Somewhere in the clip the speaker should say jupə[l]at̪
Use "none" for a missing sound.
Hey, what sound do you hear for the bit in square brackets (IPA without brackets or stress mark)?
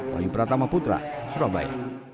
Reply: ɾ